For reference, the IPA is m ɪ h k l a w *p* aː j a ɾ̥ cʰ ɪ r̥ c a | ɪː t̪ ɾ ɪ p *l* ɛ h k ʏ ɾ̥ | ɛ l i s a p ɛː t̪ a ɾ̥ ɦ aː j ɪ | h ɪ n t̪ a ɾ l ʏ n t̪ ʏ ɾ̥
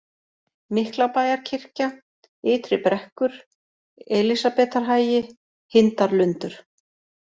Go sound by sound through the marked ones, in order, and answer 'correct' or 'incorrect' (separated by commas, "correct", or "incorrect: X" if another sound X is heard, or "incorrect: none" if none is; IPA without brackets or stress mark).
correct, incorrect: ɾ